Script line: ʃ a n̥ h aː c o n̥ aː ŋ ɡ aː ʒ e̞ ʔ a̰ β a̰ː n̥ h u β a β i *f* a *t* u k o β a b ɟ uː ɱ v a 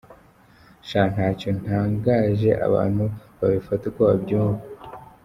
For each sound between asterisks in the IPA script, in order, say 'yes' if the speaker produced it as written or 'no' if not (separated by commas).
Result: yes, yes